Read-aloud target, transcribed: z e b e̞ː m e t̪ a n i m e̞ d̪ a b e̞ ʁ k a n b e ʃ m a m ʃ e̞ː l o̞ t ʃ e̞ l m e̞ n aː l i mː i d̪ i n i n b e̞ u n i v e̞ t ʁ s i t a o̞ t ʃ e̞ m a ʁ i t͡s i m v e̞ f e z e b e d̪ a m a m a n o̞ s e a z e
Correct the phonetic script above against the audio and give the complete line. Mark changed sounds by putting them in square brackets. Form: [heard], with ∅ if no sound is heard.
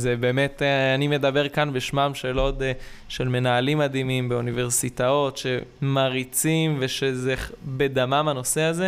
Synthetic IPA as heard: z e b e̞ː m e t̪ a n i m e̞ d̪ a b e̞ ʁ k a n b e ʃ m a m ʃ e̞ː l o̞ t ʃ e̞ l m e̞ n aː l i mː [a] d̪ i [m] i [m] b e̞ u n i v e̞ [∅] ʁ s i t a o̞ t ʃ e̞ m a ʁ i t͡s i m v e̞ [ʃ] e z e b e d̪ a m a m a n o̞ s e a z e